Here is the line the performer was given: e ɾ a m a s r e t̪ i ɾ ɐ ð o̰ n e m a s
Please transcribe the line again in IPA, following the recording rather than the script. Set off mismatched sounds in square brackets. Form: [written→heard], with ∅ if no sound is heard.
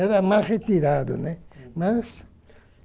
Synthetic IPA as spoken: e ɾ a m a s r e t̪ i ɾ [ɐ→a] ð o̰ n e m a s